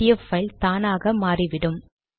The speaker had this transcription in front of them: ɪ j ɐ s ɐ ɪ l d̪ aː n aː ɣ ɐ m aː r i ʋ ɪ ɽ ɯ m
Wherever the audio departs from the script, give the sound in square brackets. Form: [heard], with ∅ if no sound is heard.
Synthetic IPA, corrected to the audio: ɪ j ɐ [f] ɐ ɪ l [t̪] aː n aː ɣ ɐ m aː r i ʋ ɪ ɽ ɯ m